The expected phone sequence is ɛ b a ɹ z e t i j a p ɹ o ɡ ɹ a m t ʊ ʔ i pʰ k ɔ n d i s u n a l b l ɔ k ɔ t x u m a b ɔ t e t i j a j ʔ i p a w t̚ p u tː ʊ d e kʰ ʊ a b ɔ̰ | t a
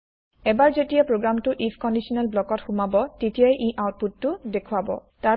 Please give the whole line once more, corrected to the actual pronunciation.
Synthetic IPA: ɛ b a ɹ z e t i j a p ɹ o ɡ ɹ a m t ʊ ʔ i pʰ k ɔ n d i s ɔ n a l b l ɔ k ɔ t x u m a b ɔ t e t i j a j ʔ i ʔ a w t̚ p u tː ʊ d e kʰ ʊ a b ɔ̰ | t a